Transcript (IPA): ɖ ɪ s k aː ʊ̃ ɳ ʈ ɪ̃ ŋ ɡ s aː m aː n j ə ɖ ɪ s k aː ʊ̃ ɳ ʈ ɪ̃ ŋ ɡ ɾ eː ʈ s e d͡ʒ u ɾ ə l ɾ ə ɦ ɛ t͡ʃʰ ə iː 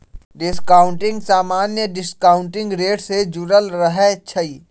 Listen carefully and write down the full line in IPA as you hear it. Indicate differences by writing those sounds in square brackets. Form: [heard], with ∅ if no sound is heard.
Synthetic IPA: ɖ ɪ s k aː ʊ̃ ɳ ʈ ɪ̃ ŋ ɡ s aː m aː n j ə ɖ ɪ s k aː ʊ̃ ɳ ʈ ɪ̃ ŋ ɡ ɾ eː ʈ s e d͡ʒ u ɾ ə l ɾ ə ɦ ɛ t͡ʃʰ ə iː